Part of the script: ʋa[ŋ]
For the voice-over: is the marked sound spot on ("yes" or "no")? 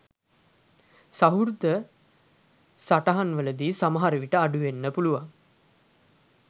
yes